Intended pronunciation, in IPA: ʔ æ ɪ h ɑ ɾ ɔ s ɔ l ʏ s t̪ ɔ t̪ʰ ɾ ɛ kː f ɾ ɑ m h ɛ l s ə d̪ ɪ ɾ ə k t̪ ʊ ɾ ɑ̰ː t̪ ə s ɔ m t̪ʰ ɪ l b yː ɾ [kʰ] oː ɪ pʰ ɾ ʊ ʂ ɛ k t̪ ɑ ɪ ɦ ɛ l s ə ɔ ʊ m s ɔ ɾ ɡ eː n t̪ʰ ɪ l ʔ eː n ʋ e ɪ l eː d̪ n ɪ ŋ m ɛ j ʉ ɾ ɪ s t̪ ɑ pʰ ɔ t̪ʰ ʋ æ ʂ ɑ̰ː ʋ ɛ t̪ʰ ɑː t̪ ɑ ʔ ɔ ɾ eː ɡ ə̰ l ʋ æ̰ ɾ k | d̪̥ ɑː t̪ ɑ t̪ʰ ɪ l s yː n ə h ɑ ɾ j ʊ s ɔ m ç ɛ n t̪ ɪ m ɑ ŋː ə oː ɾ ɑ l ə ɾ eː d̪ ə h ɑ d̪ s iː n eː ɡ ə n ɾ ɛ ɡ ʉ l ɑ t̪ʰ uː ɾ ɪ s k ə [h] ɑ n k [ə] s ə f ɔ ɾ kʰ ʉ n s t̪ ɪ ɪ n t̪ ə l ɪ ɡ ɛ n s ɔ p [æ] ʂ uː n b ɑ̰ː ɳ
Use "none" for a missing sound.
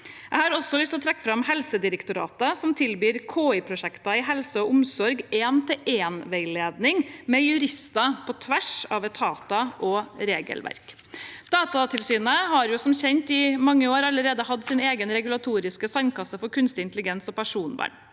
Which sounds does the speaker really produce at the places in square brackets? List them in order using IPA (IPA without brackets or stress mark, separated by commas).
kʰ, s, ɑ, æ